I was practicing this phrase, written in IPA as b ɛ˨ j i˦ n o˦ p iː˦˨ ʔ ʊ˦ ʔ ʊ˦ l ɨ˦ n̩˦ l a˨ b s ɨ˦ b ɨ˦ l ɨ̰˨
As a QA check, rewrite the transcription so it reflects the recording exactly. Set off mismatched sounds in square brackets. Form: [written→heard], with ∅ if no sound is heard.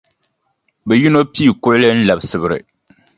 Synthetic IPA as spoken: b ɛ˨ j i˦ n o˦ p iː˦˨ [ʔ→k] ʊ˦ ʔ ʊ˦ l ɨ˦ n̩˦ l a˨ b s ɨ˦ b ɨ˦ [l→ɾ] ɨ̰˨